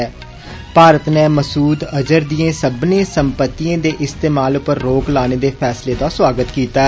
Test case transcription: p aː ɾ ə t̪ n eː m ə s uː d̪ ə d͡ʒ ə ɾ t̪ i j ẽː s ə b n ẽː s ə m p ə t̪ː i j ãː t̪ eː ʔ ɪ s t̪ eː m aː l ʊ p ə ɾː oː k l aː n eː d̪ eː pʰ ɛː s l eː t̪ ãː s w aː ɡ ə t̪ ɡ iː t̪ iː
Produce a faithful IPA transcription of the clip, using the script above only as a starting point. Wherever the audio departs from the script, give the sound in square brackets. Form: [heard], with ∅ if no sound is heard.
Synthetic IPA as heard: p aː ɾ ə t̪ n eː m ə s uː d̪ ə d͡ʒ ə ɾ [d̪] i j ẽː s ə b n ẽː s ə m p ə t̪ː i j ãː [d̪] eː ʔ ɪ s t̪ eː m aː l ʊ p ə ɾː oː k l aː n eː d̪ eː pʰ ɛː s l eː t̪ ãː s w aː ɡ ə t̪ [k] iː t̪ [aː]

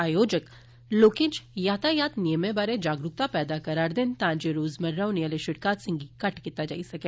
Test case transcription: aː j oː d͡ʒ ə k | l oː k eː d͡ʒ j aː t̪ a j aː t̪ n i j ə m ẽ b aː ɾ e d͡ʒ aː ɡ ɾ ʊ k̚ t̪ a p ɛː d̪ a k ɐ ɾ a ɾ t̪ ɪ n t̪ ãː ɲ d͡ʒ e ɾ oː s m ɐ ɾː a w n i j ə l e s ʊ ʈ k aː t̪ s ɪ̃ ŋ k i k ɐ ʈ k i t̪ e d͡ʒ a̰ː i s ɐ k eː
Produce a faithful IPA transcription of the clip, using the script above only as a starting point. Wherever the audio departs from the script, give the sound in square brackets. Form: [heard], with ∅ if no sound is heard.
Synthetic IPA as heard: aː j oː d͡ʒ ə k | l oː k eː d͡ʒ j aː t̪ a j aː t̪ n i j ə m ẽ b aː ɾ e d͡ʒ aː ɡ ɾ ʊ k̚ t̪ a p ɛː d̪ a k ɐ ɾ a ɾ [d̪] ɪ n t̪ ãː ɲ d͡ʒ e ɾ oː [z] m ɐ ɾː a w n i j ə l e [ʃ] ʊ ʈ k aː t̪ s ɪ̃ ŋ [ɡ] i k ɐ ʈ k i t̪ [a] d͡ʒ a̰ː i s ɐ k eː

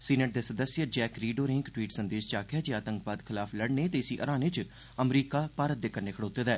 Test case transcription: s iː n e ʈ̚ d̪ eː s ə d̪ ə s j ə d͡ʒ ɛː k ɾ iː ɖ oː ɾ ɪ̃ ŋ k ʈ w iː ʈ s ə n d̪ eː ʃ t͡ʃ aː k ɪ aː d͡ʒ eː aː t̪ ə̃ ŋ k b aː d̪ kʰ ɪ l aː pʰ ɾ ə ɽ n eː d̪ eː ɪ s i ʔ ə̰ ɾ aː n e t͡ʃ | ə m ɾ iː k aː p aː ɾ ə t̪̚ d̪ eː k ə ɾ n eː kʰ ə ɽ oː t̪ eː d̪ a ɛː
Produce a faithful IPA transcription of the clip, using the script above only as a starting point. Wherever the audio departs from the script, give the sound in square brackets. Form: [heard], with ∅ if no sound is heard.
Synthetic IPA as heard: s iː n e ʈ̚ d̪ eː s ə d̪ ə s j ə d͡ʒ ɛː k ɾ iː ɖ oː ɾ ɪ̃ ŋ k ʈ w iː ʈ s ə n d̪ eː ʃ t͡ʃ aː k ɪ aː d͡ʒ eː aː t̪ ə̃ ŋ k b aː d̪ kʰ ɪ l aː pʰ [l] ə ɽ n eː [t̪] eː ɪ s i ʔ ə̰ ɾ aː n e t͡ʃ | ə m ɾ iː k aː p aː ɾ ə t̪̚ d̪ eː k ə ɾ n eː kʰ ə ɽ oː t̪ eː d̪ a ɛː

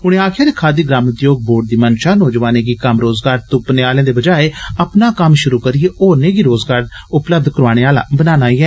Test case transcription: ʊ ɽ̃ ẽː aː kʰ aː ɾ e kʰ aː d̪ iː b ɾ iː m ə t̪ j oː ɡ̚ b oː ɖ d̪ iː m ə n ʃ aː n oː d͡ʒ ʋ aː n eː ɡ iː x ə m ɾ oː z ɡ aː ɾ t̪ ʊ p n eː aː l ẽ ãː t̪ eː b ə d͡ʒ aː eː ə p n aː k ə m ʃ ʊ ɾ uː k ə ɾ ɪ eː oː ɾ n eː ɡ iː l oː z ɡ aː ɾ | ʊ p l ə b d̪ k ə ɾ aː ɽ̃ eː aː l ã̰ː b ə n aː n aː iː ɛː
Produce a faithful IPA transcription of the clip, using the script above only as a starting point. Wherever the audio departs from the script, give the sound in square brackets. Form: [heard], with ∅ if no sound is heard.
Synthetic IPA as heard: ʊ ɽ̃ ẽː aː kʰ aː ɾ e kʰ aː d̪ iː [ɡ] ɾ [aː] m ə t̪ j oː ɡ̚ b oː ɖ d̪ iː m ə n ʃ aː n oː d͡ʒ ʋ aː n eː ɡ iː [k] ə m ɾ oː z ɡ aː ɾ t̪ ʊ p n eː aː l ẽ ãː [d̪] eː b ə d͡ʒ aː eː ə p n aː k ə m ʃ ʊ ɾ uː k ə ɾ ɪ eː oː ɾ n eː ɡ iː [ɾ] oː z ɡ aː ɾ | ʊ p l ə b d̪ k ə ɾ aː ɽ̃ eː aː l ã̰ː b ə n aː n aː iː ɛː

